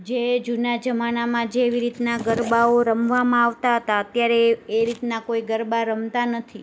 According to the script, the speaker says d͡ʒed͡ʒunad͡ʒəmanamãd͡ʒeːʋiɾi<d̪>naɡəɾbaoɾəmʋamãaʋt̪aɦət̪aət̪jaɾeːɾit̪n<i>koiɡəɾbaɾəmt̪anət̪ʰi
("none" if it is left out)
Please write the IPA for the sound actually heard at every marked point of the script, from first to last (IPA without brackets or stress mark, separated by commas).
t̪, a